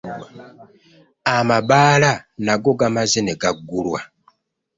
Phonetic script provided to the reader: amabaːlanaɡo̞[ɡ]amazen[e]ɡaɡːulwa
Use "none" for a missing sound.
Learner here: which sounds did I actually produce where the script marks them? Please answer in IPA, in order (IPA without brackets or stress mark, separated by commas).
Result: ɡ, e